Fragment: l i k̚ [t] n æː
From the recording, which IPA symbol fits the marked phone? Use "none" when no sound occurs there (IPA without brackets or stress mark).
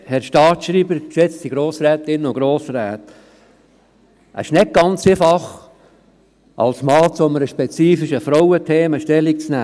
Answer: t͡s